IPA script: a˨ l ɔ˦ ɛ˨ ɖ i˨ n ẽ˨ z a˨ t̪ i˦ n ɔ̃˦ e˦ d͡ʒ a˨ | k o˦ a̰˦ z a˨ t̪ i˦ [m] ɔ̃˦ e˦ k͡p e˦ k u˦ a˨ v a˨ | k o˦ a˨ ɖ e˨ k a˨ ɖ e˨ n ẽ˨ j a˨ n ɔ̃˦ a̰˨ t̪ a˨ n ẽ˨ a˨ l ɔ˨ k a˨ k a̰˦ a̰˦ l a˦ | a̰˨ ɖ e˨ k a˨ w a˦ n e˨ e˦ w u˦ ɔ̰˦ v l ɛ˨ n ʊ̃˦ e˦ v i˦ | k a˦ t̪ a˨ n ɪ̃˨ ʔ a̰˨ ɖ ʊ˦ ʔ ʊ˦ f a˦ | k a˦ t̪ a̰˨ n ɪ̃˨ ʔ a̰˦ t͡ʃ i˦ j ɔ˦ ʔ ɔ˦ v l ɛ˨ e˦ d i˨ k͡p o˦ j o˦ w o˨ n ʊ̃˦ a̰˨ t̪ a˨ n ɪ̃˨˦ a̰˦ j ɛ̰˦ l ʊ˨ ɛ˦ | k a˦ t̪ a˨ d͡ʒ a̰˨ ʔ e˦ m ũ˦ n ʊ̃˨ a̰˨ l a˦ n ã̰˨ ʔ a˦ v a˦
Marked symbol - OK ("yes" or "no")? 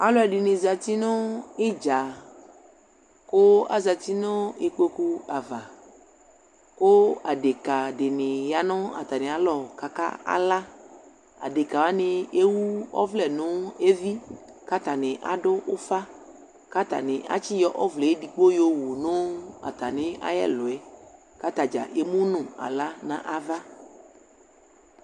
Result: no